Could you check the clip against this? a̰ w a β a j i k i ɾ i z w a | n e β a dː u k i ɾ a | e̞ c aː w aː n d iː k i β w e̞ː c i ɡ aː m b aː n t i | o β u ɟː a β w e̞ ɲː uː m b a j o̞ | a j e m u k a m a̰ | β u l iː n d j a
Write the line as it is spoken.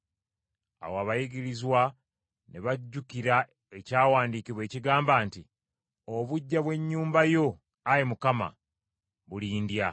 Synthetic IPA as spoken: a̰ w a β a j i ɡ i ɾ i z w a | n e β a ɟː u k i ɾ a | e̞ c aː w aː n d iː k i β w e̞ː c i ɡ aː m b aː n t i | o β u ɟː a β w e̞ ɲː uː m b a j o̞ | a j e m u k a m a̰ | β u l iː n d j a